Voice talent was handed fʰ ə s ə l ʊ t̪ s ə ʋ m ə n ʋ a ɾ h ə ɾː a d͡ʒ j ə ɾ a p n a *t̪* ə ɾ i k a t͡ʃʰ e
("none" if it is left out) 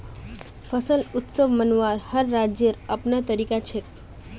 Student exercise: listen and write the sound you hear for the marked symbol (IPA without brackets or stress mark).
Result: t̪